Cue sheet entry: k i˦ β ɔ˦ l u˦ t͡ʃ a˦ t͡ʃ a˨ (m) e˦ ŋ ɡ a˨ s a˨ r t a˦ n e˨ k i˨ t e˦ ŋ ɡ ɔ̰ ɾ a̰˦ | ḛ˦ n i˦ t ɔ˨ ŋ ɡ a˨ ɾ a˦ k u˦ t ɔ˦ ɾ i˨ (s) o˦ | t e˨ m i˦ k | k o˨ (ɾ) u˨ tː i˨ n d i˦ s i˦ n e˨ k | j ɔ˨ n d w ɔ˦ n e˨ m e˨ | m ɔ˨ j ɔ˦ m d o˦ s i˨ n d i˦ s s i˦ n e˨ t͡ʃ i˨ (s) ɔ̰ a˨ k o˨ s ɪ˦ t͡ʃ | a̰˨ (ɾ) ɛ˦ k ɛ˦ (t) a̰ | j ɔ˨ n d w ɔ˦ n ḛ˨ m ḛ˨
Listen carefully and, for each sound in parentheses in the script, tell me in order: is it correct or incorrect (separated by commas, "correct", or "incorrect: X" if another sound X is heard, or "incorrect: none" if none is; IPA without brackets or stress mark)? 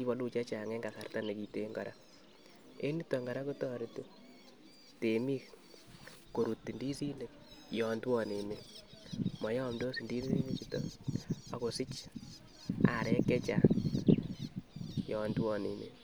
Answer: incorrect: ŋ, incorrect: t, correct, incorrect: t, correct, incorrect: t͡ʃ